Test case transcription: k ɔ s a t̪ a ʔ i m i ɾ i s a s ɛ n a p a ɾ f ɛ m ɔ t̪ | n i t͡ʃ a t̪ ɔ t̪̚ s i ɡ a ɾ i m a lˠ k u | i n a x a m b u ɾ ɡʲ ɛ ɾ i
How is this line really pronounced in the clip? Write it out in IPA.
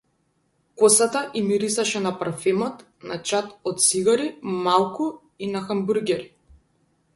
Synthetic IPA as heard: k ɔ s a t̪ a ʔ i m i ɾ i s a ʃ ɛ n a p a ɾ f ɛ m ɔ t̪ | n a t͡ʃ a t̪ ɔ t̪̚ s i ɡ a ɾ i m a lˠ k u | i n a x a m b u ɾ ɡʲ ɛ ɾ i